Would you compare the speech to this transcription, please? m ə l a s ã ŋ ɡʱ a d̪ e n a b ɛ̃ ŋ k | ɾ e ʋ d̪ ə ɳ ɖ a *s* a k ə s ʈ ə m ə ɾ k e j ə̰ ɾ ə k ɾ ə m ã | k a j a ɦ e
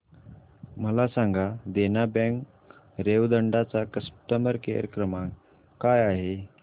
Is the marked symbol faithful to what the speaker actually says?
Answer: no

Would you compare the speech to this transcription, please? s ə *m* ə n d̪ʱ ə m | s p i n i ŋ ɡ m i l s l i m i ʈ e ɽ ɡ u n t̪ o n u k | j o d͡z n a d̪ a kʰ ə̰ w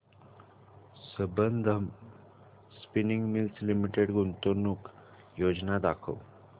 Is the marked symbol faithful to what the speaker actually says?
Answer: no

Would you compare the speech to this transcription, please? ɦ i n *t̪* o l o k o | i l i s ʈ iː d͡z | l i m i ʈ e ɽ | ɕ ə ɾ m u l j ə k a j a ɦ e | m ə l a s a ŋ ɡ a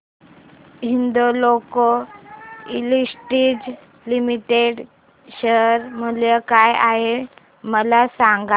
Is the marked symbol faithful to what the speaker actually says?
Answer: no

